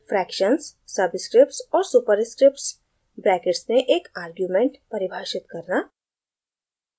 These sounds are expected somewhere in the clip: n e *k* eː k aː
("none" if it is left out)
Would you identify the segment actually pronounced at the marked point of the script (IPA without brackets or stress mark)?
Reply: ʔ